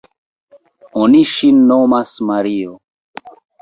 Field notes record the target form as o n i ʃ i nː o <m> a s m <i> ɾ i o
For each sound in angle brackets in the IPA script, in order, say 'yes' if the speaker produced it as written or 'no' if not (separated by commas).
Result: yes, no